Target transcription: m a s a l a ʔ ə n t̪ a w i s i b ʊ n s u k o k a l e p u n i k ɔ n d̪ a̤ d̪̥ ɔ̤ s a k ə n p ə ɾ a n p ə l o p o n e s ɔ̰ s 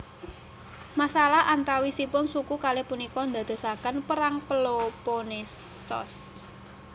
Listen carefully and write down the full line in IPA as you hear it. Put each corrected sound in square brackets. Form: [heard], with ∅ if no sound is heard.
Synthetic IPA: m a s a l a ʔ [a] n t̪ a w i s i [p] ʊ n s u k [u] k a l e p u n i k ɔ n d̪ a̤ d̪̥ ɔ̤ s a k ə n p ə ɾ a [ŋ] p ə l o p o n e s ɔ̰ s

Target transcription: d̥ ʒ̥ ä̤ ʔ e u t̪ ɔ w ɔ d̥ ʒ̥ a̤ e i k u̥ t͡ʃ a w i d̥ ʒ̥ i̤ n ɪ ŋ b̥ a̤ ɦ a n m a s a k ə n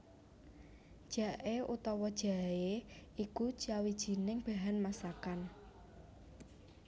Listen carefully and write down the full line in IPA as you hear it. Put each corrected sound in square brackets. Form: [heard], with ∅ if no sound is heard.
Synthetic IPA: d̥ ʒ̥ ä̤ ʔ e u t̪ ɔ w ɔ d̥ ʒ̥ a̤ e i k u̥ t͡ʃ a w i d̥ ʒ̥ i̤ n ɪ ŋ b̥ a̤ ɦ a n m a s a k [a] n

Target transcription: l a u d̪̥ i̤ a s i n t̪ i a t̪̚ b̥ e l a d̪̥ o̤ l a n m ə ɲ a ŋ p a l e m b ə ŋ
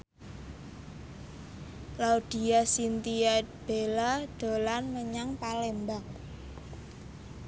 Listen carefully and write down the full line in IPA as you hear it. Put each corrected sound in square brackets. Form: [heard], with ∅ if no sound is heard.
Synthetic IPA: l a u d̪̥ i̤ a s i n t̪ i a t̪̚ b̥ e l a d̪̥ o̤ l a n m ə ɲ a ŋ p a l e m b [a] ŋ

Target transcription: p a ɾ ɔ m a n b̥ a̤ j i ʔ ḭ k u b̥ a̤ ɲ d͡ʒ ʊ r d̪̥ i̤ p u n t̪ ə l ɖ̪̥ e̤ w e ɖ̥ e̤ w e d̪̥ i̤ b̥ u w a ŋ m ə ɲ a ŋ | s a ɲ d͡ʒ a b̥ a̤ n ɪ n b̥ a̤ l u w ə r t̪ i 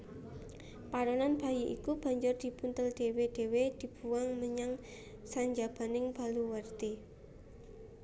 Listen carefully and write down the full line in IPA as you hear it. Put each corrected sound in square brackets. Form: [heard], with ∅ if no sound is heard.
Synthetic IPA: p a ɾ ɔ [n] a n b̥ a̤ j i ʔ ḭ k u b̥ a̤ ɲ d͡ʒ ʊ r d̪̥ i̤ p u n t̪ ə l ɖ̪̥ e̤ w e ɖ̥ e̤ w e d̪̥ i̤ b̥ u w a ŋ m ə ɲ a ŋ | s a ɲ d͡ʒ a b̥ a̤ n ɪ [ŋ] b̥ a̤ l u w ə r t̪ i

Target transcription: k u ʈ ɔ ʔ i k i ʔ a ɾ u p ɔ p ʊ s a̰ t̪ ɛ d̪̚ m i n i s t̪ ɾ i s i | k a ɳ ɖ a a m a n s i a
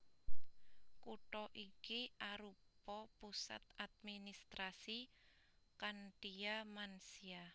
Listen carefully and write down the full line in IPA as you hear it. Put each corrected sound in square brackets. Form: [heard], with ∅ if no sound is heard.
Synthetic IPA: k u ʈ ɔ ʔ i k i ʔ a ɾ u p ɔ p [u] s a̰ t̪ [a] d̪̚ m i n i s t̪ ɾ [a] s i | k a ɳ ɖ [i] a m a n s i a

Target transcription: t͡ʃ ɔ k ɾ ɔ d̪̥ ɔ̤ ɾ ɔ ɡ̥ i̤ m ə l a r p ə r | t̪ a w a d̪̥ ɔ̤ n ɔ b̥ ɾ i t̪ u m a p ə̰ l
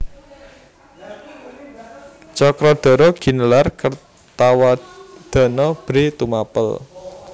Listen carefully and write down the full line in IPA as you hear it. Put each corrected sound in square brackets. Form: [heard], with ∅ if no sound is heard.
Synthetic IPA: t͡ʃ ɔ k ɾ ɔ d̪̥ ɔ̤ ɾ ɔ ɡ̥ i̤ [n] ə l a r [k] ə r | t̪ a w a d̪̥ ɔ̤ n ɔ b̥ ɾ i t̪ u m a p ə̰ l

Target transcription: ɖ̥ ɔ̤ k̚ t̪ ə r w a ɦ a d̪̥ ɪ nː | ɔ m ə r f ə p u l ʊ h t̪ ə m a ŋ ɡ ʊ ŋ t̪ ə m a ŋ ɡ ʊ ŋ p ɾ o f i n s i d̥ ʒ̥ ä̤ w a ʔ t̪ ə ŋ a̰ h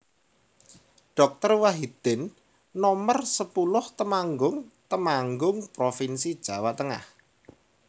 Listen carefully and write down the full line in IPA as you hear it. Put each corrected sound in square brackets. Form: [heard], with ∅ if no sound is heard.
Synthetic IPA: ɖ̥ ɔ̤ k̚ t̪ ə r w a ɦ [i] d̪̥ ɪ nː | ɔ m ə r [s] ə p u l ʊ h t̪ ə m a ŋ ɡ ʊ ŋ t̪ ə m a ŋ ɡ ʊ ŋ p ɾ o f i n s i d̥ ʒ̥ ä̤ w a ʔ t̪ ə ŋ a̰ h

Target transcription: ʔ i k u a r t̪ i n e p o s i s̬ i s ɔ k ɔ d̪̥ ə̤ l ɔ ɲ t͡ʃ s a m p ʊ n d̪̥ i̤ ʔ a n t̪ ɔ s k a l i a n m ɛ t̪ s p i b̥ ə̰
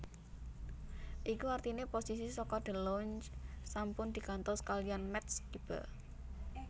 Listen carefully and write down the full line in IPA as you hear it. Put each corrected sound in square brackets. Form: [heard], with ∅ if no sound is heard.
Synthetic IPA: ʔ i k u a r t̪ i n e p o s i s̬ i s ɔ k ɔ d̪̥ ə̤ l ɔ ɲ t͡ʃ s a m p ʊ n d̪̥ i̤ [k] a n t̪ ɔ s k a l i a n m ɛ t̪ s [k] i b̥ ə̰

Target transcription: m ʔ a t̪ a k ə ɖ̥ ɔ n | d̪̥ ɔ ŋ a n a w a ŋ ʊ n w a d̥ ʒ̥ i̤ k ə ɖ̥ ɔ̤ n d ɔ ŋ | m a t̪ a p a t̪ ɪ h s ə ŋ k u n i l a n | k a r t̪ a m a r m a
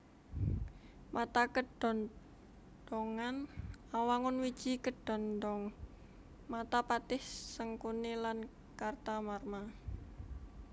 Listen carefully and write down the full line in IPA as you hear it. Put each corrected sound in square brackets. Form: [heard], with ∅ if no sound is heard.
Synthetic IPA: m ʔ a t̪ a k ə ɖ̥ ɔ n | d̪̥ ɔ ŋ a n a w a ŋ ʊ n w [i] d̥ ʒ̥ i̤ k ə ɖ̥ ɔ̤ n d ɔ ŋ | m a t̪ a p a t̪ ɪ h s ə ŋ k u n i l a n | k a r t̪ a m a r m a

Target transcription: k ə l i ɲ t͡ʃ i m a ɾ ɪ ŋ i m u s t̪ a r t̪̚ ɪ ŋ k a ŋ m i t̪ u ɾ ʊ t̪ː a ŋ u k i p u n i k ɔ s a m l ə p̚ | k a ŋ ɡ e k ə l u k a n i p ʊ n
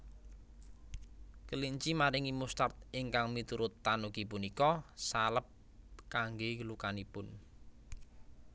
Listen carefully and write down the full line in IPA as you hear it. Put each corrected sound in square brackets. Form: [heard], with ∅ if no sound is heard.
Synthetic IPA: k ə l i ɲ t͡ʃ i m a ɾ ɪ ŋ i m u s t̪ a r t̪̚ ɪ ŋ k a ŋ m i t̪ u ɾ ʊ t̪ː a [n] u k i p u n i k ɔ s a [∅] l ə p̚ | k a ŋ ɡ e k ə l u k a n i p ʊ n

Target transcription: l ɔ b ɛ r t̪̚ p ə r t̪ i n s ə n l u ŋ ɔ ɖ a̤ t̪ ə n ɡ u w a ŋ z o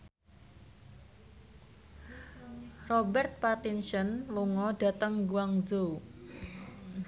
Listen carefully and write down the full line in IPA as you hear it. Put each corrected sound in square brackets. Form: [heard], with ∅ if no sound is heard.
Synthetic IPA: [r] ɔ b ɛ r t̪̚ p [a] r t̪ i n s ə n l u ŋ ɔ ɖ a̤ t̪ ə [ŋ] ɡ u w a ŋ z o

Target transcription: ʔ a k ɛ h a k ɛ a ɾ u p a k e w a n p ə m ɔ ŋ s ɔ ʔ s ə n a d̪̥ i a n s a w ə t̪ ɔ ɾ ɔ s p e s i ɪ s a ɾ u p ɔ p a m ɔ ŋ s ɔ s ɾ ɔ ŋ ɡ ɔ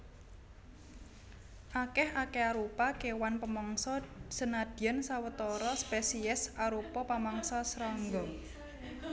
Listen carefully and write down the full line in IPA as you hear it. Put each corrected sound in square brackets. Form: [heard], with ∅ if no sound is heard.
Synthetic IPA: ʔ a k ɛ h a k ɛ a ɾ u p a k e w a n p ə m ɔ ŋ s ɔ [∅] s ə n a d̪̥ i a n s a w ə t̪ ɔ ɾ ɔ s p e s i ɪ s a ɾ u p ɔ p a m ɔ ŋ s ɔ s ɾ ɔ ŋ ɡ ɔ

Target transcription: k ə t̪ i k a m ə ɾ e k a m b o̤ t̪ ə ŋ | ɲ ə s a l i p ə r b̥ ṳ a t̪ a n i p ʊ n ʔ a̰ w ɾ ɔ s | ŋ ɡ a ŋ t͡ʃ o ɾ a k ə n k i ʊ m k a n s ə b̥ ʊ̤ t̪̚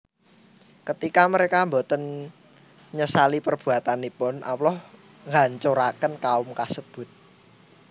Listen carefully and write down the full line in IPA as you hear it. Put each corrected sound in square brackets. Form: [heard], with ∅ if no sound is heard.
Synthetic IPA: k ə t̪ i k a m ə ɾ e k a m b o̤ t̪ ə [n] | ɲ ə s a l i p ə r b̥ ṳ a t̪ a n i p ʊ n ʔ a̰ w [l] ɔ [h] | ŋ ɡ a [ɲ] t͡ʃ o ɾ a k ə n k [a] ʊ m k a [∅] s ə b̥ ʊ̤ t̪̚

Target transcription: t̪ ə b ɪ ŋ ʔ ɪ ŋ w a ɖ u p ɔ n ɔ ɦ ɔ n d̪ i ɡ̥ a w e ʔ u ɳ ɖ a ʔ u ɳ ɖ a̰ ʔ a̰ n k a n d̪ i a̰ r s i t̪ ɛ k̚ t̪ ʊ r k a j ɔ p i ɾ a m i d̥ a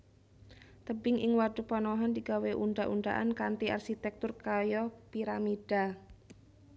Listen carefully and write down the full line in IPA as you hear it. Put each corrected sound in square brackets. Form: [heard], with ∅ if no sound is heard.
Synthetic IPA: t̪ ə b ɪ ŋ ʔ ɪ ŋ w a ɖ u p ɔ n ɔ ɦ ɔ n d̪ i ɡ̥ a w e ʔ u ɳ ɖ a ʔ u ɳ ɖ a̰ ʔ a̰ n k a n [t̪] i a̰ r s i t̪ ɛ k̚ t̪ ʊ r k a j ɔ p i ɾ a m i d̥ a

